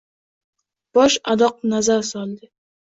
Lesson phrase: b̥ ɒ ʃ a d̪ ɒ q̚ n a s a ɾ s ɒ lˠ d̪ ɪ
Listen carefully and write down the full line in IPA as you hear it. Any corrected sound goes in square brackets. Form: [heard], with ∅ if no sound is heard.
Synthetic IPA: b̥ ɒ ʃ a d̪ ɒ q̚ n a [z] a ɾ s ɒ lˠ d̪ ɪ